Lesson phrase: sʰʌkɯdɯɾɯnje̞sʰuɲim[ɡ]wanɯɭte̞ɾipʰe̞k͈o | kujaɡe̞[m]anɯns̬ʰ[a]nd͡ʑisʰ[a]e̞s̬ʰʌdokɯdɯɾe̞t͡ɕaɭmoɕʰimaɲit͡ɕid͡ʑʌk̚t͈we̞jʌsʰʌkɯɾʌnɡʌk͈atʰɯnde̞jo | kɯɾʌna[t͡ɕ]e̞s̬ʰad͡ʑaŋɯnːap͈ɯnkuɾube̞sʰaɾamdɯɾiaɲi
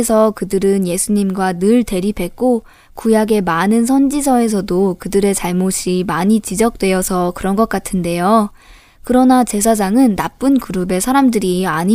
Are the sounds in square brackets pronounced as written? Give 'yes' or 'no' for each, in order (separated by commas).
yes, yes, no, no, yes